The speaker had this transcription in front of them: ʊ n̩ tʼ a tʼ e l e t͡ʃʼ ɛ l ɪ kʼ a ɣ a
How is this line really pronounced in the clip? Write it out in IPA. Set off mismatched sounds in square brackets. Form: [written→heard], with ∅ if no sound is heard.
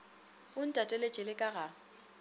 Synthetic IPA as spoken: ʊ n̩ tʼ a tʼ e l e t͡ʃʼ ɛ l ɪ kʼ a ɣ a